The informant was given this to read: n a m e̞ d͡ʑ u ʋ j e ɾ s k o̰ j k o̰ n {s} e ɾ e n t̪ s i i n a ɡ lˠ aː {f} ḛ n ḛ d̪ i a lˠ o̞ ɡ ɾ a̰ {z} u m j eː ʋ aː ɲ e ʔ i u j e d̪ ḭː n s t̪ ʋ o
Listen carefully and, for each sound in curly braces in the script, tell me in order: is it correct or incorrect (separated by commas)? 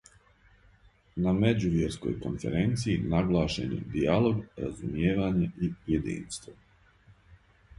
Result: incorrect, incorrect, correct